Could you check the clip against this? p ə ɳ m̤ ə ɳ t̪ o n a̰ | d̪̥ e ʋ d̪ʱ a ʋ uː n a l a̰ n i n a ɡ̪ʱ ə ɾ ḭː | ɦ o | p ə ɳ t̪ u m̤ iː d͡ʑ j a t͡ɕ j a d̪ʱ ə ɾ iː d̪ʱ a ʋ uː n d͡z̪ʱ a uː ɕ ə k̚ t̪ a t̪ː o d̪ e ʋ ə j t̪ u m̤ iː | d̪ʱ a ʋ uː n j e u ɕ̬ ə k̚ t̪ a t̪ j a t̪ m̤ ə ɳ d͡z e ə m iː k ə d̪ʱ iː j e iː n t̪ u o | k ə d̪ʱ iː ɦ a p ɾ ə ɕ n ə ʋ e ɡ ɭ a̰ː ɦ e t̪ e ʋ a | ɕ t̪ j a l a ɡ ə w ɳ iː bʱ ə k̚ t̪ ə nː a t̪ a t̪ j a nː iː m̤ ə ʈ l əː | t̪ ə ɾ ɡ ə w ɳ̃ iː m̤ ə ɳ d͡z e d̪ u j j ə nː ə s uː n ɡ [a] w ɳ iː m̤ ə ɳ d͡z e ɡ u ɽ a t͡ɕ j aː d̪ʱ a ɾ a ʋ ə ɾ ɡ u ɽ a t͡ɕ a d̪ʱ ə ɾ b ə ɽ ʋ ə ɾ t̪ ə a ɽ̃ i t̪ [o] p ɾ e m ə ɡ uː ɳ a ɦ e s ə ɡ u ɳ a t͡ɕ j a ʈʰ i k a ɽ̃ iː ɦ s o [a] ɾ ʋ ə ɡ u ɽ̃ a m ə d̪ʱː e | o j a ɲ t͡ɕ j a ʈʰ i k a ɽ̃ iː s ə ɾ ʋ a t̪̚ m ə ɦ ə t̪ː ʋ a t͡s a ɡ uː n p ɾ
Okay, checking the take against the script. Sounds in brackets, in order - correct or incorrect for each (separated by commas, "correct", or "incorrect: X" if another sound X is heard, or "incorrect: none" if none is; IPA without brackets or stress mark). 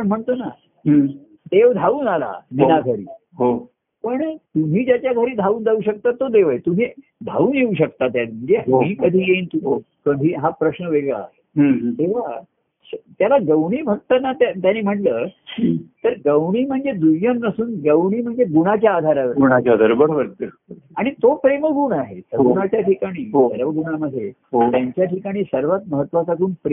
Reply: incorrect: ə, correct, incorrect: ə